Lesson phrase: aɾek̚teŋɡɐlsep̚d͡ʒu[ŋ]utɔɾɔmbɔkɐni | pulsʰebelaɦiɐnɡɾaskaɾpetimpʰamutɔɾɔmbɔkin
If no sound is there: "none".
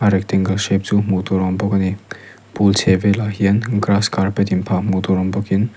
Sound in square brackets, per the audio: m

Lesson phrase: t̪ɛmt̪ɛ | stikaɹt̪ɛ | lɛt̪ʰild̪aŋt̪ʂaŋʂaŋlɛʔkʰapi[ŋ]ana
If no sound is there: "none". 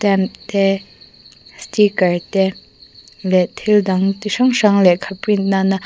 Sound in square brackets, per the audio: n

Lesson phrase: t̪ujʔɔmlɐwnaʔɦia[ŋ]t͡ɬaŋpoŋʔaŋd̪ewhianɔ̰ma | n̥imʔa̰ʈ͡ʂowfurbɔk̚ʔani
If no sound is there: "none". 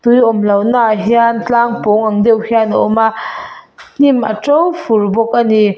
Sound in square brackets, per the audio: n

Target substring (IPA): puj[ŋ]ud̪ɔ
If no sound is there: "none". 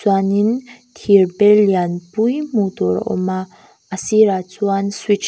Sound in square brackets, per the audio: m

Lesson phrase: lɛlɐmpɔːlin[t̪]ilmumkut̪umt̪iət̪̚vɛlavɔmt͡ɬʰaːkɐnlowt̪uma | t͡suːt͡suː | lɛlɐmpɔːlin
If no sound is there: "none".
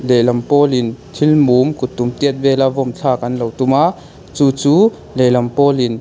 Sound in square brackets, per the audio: t̪ʰ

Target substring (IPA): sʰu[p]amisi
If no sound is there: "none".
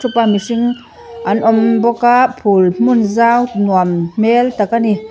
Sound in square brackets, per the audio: p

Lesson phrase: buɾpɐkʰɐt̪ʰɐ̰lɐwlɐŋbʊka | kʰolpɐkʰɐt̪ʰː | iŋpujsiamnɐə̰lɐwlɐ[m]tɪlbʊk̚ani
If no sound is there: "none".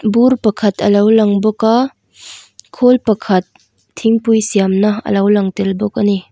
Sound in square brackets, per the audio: ŋ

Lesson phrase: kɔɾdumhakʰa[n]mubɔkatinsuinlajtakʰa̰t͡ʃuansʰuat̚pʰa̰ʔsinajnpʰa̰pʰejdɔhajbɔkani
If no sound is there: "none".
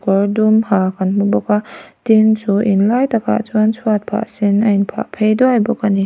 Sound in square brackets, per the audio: n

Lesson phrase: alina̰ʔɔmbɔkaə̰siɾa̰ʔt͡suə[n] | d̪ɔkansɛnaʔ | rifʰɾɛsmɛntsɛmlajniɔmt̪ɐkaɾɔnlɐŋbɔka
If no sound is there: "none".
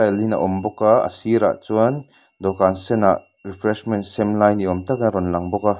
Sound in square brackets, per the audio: n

